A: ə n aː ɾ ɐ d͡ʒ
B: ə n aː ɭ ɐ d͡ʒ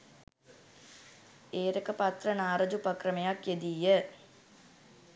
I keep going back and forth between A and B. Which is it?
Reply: A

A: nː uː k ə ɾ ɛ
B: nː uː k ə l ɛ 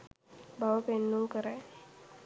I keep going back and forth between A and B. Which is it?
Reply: A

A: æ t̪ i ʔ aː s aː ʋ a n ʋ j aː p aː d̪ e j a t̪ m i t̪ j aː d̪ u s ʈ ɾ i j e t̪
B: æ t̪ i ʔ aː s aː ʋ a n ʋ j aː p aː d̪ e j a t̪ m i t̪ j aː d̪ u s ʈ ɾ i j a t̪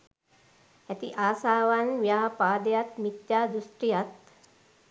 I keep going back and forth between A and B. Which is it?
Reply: B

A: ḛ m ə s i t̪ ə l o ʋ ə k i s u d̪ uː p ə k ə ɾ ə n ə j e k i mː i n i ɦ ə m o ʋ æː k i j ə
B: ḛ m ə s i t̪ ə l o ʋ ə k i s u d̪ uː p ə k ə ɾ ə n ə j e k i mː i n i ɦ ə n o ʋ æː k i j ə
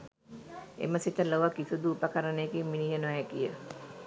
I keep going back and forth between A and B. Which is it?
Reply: B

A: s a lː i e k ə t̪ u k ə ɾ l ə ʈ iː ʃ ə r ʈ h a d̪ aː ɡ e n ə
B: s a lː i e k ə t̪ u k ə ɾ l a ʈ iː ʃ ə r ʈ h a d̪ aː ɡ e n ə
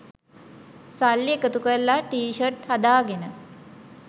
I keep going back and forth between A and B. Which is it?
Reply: B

